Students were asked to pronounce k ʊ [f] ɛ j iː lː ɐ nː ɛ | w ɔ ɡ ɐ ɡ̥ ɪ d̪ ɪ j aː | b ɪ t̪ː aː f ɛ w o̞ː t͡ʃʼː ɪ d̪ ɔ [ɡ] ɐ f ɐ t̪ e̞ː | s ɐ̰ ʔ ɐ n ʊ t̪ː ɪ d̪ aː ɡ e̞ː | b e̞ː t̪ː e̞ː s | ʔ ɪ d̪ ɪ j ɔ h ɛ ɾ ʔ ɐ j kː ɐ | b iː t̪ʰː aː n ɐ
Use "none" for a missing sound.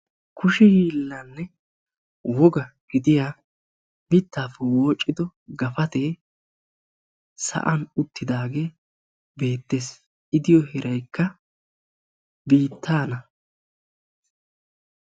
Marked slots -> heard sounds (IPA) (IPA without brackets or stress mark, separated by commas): ʃ, ɡ